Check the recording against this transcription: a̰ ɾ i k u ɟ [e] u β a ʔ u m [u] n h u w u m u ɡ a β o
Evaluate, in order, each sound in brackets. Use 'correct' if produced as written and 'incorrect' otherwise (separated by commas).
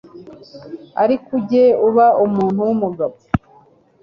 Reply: correct, incorrect